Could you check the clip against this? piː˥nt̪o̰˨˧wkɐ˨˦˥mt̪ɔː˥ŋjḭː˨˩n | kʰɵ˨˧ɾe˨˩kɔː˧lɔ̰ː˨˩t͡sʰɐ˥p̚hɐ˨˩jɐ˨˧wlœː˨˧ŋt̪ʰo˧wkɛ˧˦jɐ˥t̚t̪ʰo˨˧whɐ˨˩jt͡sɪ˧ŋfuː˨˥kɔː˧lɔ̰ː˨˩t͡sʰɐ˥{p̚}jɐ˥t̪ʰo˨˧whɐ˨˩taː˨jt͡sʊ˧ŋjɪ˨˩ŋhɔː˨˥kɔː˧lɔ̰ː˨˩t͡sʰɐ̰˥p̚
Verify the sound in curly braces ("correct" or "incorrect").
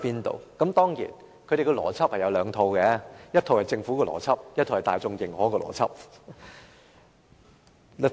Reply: correct